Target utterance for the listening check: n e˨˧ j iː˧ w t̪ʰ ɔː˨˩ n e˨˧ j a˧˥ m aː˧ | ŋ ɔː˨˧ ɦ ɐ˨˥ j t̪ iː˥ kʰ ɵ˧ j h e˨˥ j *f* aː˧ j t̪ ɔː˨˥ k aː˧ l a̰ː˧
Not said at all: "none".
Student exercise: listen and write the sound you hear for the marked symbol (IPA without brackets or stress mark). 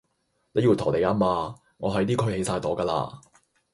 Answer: s